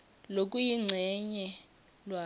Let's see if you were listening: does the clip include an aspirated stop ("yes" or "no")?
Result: no